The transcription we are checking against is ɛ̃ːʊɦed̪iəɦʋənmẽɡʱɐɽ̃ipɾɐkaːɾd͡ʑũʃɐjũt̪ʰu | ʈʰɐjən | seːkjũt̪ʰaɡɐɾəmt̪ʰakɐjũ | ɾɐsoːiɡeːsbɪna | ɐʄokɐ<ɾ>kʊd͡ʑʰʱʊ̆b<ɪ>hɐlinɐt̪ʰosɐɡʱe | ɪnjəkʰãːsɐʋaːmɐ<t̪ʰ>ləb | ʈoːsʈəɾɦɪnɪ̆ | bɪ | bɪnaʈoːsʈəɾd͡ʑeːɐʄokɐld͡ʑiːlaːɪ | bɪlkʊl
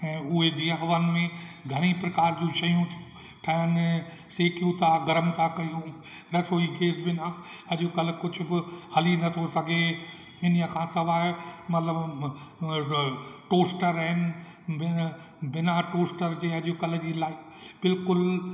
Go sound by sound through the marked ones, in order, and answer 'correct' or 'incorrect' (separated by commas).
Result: incorrect, correct, incorrect